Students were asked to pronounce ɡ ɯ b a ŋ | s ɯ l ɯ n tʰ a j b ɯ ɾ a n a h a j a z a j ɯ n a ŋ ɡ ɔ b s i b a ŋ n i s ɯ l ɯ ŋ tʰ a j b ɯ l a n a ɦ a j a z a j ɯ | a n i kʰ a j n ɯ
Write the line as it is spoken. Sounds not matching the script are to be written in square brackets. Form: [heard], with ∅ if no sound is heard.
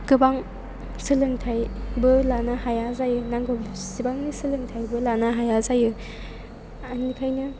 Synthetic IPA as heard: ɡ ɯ b a ŋ | s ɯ l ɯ [ŋ] tʰ a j b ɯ [l] a n a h a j a z a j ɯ n a ŋ ɡ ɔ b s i b a ŋ n i s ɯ l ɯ ŋ tʰ a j b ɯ l a n a ɦ a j a z a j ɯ | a n i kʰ a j n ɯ